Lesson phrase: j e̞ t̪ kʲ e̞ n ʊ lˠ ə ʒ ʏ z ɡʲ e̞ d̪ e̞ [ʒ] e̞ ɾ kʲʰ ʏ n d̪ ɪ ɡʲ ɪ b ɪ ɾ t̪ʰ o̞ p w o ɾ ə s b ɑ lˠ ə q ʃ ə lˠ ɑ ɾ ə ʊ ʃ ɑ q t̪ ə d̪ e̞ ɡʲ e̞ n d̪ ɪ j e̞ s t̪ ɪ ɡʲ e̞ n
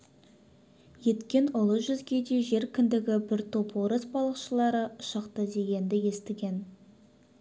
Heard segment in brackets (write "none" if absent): ʒ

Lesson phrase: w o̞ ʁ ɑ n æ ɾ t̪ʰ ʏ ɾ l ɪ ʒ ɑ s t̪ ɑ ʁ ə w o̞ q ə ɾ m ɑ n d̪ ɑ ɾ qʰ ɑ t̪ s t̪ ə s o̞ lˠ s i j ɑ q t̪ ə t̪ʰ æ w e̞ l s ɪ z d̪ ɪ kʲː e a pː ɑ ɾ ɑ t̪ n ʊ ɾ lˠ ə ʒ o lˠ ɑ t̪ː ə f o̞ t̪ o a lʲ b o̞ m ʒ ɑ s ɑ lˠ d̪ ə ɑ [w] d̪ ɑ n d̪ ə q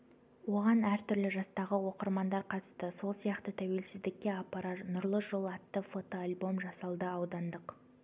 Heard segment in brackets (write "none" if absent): w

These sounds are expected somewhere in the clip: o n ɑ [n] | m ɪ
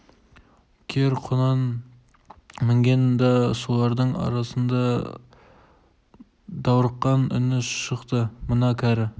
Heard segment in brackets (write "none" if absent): n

